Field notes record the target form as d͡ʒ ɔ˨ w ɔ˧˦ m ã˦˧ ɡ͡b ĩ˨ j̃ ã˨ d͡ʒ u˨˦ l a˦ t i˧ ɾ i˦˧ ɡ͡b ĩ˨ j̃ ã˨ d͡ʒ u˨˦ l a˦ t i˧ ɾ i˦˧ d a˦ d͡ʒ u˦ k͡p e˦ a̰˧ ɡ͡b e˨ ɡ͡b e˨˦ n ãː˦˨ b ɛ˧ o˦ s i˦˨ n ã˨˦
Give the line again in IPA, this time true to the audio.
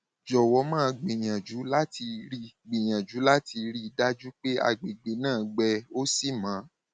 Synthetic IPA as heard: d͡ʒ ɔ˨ w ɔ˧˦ m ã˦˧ ɡ͡b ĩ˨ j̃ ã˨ d͡ʒ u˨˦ l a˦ t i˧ ɾ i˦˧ ɡ͡b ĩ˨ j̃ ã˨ d͡ʒ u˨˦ l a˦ t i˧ ɾ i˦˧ d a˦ d͡ʒ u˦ k͡p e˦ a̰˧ ɡ͡b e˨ ɡ͡b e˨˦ n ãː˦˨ ɡ͡b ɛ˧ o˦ s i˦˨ m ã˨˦

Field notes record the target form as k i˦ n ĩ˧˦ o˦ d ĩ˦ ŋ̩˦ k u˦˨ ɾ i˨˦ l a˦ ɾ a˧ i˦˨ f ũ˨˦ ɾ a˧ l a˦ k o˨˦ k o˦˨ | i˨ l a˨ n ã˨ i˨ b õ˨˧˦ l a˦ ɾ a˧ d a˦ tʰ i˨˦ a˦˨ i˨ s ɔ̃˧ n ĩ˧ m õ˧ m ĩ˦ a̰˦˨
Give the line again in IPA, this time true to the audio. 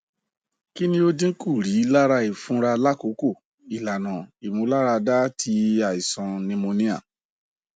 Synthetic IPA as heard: k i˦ n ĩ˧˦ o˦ d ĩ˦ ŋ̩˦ k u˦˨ ɾ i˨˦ l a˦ ɾ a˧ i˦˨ f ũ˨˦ ɾ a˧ l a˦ k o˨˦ k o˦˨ | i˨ l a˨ n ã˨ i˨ m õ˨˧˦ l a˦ ɾ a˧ d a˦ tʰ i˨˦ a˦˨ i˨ s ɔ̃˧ n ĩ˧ m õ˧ n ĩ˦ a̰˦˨

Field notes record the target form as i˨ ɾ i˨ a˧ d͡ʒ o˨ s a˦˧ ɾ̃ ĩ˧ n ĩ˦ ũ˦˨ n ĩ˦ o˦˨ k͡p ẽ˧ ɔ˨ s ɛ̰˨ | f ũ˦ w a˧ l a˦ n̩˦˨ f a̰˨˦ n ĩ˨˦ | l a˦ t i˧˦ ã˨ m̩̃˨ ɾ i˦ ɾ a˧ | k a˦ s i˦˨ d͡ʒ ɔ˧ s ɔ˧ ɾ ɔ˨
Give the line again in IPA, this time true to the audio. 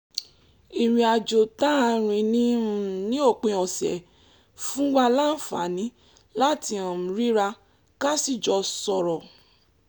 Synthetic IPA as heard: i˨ ɾ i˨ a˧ d͡ʒ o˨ t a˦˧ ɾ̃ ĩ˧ n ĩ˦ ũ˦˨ n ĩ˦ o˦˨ k͡p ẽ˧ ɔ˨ s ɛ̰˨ | f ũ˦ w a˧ l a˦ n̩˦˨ f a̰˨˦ n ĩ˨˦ | l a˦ t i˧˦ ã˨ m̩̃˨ ɾ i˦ ɾ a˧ | k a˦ s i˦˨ d͡ʒ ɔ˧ s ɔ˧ ɾ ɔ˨

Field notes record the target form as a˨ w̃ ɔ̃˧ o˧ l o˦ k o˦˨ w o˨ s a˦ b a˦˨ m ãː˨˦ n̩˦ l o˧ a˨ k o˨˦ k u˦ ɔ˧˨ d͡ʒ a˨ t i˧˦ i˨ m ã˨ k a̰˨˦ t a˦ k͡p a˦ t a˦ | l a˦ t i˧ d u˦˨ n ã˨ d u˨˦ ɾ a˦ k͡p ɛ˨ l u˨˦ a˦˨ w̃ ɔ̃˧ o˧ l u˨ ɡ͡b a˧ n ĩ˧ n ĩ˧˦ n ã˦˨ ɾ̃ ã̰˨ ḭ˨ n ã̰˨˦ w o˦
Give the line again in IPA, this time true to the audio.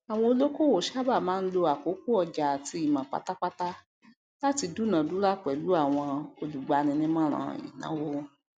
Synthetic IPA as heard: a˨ w̃ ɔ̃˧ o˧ l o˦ k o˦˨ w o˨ ʃ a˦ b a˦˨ m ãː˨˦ n̩˦ l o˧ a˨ k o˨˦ k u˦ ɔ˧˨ d͡ʒ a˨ t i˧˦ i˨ m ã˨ k͡p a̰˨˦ t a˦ k͡p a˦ t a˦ | l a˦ t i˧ d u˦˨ n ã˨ d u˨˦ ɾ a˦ k͡p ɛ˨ l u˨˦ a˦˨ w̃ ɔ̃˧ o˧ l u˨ ɡ͡b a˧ n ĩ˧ n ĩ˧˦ m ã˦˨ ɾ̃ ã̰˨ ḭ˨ n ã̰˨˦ w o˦

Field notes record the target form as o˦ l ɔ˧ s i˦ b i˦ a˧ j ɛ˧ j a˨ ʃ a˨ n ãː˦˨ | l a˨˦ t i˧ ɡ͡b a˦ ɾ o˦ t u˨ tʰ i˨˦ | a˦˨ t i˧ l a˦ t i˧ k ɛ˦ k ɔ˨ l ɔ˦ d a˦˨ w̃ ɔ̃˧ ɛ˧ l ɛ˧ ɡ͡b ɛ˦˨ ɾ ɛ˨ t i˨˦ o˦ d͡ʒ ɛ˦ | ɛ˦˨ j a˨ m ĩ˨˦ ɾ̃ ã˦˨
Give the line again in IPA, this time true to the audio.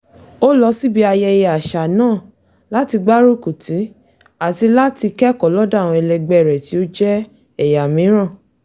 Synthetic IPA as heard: o˦ l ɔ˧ s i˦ b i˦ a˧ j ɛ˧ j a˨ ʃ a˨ n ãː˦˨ | l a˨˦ t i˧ ɡ͡b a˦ ɾ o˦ k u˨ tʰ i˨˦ | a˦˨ t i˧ l a˦ t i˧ k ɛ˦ k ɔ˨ l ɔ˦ d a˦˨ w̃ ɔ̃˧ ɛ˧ l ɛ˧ ɡ͡b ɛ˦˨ ɾ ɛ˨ t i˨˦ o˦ d͡ʒ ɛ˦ | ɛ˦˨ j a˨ m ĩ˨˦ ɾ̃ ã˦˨

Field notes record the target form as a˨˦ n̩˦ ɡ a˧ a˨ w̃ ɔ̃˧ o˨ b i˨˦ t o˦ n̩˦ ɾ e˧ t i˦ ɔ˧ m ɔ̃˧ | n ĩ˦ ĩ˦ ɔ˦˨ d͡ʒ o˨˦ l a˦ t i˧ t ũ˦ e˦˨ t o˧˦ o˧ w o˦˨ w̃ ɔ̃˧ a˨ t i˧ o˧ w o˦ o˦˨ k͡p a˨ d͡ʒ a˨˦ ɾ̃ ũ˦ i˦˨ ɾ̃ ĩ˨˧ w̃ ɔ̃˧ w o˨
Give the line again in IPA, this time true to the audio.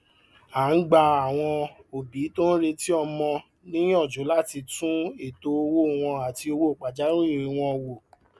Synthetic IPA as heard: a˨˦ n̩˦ ɡ͡b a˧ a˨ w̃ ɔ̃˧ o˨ b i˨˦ t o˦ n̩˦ ɾ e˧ t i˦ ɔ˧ m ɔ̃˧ | n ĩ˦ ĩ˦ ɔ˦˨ d͡ʒ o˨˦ l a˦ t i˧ t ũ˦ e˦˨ t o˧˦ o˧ w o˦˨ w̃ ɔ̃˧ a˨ t i˧ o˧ w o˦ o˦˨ k͡p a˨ d͡ʒ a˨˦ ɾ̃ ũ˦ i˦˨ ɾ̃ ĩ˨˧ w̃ ɔ̃˧ w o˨

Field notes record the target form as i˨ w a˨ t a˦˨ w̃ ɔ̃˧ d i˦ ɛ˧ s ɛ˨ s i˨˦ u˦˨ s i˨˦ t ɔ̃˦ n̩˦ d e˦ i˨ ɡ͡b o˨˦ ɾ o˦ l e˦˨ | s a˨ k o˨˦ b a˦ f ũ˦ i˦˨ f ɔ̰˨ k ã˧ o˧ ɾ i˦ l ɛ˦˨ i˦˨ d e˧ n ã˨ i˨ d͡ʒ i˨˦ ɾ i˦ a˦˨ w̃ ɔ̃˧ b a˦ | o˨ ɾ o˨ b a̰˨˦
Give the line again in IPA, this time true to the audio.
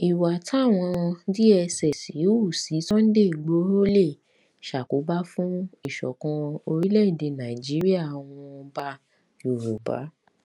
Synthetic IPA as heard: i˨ w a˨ t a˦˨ w̃ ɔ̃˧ d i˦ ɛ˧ s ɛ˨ s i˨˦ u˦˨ s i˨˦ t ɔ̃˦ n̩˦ d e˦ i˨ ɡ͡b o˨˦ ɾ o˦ l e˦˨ | ʃ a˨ k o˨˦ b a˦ f ũ˦ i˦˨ ʃ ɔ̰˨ k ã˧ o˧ ɾ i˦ l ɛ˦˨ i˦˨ d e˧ n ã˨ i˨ d͡ʒ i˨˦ ɾ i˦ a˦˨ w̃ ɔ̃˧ b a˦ | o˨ ɾ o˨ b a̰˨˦

